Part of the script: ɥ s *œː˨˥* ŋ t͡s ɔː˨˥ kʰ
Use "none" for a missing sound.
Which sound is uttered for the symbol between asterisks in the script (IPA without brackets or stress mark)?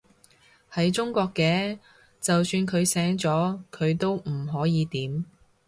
ɛː˨˥